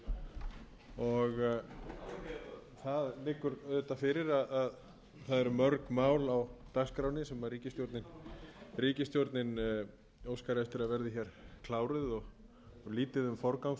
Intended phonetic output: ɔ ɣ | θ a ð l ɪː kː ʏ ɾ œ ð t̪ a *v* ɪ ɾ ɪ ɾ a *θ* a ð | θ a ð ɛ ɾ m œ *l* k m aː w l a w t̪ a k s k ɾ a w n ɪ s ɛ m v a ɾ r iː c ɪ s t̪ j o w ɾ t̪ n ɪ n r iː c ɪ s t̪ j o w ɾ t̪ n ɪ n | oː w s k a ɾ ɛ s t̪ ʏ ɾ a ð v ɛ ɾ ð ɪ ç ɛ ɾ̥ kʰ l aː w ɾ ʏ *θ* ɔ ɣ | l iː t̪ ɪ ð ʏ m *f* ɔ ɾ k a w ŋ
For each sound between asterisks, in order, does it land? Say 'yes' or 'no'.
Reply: no, no, no, no, yes

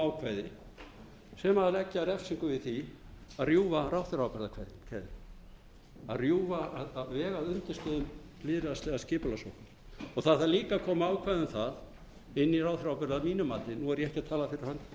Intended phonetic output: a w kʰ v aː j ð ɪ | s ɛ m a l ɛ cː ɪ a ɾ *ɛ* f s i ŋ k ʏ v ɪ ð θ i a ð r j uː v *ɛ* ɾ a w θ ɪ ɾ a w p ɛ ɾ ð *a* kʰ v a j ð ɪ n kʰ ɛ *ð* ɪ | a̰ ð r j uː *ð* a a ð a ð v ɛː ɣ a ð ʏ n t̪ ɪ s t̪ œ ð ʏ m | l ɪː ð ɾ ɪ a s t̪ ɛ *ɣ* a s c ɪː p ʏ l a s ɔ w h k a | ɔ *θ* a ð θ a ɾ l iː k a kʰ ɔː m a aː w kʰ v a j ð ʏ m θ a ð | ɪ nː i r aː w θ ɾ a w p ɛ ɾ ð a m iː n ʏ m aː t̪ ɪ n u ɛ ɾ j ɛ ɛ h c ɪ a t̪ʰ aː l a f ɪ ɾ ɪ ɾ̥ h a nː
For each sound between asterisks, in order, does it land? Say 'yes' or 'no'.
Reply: yes, no, yes, yes, no, yes, yes

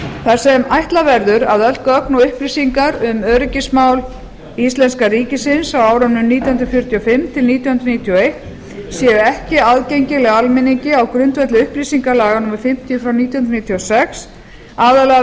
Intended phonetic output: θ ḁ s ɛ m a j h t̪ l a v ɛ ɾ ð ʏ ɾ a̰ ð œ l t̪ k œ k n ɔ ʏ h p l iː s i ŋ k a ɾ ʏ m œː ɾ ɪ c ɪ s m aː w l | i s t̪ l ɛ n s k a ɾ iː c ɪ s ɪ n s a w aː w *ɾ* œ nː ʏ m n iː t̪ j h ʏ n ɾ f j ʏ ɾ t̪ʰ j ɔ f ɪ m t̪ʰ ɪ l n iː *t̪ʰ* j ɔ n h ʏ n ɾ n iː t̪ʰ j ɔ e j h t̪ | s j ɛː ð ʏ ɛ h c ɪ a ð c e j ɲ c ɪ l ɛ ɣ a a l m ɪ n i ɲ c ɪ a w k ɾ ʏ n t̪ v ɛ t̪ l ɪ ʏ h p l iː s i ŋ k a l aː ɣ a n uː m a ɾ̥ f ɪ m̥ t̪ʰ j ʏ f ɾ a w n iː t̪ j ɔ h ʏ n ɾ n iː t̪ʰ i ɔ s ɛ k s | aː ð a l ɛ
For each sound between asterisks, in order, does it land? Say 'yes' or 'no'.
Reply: yes, no

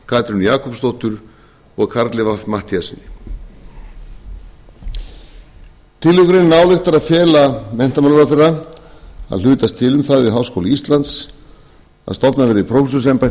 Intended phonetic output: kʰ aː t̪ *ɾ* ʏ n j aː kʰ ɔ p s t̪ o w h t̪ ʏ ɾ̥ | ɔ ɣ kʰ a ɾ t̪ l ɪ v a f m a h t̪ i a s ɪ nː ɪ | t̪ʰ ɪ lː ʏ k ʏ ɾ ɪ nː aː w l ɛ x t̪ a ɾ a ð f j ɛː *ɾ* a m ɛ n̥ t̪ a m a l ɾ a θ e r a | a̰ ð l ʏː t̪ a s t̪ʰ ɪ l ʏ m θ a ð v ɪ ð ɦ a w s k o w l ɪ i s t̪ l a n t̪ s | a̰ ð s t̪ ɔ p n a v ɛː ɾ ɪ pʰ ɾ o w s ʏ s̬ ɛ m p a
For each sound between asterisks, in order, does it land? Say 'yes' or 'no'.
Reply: yes, no

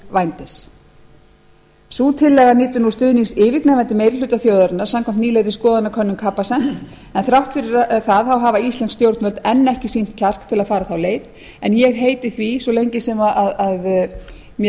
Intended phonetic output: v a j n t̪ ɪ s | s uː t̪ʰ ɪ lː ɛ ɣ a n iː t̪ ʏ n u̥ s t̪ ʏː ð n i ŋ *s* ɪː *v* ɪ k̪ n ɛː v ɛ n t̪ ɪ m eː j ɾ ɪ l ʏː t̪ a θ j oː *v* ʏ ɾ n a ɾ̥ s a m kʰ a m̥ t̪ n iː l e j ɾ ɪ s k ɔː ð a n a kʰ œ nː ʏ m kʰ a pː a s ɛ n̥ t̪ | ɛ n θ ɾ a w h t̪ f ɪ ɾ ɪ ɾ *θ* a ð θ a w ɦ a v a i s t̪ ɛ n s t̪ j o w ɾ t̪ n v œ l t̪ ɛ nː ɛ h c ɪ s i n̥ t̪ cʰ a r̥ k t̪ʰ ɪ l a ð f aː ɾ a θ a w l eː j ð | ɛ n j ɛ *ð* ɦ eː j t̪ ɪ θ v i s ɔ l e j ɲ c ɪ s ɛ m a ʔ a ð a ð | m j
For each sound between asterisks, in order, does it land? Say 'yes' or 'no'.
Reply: yes, yes, no, yes, no

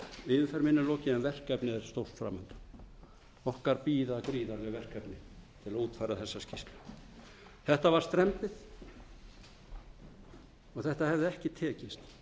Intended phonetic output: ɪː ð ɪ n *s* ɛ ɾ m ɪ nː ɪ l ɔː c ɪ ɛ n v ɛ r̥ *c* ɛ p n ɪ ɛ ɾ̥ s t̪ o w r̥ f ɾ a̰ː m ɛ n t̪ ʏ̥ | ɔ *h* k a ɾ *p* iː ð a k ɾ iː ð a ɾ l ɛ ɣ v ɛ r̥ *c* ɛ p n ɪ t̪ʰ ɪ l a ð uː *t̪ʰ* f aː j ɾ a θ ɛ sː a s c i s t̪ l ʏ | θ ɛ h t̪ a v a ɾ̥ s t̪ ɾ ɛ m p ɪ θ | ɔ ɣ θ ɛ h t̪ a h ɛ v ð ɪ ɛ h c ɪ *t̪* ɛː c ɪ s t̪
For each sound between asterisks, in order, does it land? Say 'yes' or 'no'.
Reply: no, no, yes, yes, no, no, no

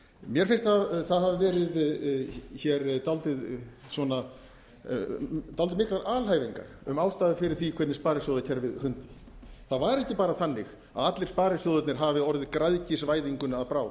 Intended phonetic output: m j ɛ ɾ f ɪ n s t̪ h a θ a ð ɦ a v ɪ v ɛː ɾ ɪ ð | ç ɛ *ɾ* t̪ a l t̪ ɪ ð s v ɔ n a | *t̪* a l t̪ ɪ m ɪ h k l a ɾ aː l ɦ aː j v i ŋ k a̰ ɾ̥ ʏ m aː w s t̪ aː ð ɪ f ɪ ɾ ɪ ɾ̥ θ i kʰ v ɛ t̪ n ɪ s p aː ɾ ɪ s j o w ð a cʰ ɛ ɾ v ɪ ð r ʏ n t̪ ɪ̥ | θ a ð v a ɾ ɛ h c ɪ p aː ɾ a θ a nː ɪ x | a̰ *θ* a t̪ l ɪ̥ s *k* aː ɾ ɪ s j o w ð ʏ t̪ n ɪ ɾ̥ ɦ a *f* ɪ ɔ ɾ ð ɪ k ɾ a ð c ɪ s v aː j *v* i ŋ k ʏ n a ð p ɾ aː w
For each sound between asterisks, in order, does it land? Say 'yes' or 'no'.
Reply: yes, yes, no, no, no, no

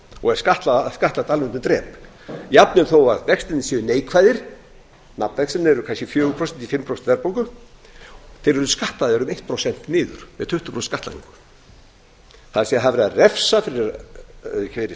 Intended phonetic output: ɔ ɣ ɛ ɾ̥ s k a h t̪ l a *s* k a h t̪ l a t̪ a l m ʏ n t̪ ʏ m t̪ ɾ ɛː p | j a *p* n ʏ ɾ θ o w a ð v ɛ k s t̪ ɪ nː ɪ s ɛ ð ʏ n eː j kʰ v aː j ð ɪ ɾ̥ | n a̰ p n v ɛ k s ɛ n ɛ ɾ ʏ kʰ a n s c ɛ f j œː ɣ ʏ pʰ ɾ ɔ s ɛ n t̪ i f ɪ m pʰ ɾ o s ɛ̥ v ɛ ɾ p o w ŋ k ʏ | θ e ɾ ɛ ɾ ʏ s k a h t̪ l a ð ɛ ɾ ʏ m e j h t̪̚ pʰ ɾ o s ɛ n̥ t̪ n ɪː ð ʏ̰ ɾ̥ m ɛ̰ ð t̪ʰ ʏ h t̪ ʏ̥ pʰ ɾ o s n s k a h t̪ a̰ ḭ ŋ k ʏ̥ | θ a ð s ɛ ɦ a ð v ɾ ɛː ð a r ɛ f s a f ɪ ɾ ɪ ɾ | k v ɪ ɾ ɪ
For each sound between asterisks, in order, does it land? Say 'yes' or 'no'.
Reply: yes, yes

